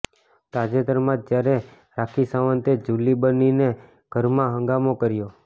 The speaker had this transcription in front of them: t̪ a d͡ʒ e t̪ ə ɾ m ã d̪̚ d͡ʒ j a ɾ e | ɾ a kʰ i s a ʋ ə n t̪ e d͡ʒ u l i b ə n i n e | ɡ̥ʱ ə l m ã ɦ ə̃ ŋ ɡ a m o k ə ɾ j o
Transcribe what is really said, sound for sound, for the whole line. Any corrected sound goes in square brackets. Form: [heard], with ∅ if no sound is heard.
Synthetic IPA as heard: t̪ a d͡ʒ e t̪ ə ɾ m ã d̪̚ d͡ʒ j a ɾ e | ɾ a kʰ i s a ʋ ə n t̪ e d͡ʒ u l i b ə n i n e | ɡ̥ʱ ə [ɾ] m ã ɦ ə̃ ŋ ɡ a m o k ə ɾ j o